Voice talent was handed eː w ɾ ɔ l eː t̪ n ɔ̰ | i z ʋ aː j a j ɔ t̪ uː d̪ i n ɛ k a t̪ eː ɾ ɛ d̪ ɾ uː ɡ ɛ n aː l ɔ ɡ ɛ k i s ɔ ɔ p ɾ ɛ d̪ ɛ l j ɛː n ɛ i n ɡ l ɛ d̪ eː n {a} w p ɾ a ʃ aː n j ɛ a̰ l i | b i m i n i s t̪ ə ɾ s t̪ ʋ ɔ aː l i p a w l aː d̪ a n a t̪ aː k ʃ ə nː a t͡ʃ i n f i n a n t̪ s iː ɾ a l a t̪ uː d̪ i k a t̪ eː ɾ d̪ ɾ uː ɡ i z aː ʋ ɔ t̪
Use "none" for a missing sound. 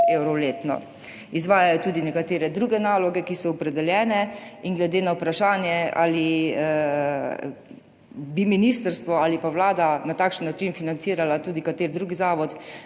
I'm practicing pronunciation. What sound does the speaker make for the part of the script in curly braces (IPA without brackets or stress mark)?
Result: a